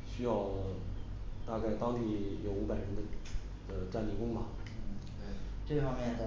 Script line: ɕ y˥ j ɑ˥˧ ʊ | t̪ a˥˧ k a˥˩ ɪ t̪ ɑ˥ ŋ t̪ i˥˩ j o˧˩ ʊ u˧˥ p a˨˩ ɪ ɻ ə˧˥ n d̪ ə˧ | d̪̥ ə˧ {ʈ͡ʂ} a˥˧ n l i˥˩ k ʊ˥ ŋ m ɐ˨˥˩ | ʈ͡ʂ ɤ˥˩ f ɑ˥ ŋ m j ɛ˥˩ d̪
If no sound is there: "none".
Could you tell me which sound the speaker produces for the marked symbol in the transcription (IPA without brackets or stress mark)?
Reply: ʈ͡ʂ